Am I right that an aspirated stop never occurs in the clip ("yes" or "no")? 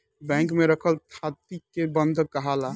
no